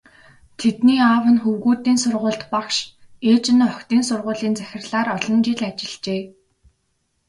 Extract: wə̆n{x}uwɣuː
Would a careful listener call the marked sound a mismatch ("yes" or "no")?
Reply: no